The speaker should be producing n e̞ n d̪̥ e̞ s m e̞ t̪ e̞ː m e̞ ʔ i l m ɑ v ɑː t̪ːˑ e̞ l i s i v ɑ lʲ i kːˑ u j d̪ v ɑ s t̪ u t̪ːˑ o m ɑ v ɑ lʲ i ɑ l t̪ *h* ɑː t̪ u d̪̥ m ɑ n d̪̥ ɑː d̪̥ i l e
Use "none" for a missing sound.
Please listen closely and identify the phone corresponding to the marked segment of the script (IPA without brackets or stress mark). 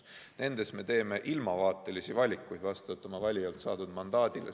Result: s